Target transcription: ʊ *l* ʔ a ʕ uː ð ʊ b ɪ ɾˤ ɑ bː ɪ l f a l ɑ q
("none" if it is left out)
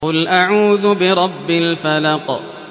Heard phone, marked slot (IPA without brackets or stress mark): l